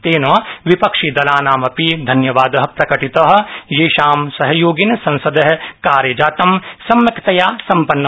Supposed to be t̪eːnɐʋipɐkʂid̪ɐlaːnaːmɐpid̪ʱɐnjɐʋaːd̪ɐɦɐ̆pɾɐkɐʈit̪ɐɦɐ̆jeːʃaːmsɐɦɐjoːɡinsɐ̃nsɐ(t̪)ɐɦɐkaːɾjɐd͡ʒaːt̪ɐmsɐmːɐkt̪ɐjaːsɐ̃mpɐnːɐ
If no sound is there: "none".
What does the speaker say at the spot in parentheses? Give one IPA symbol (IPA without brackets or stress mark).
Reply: d̪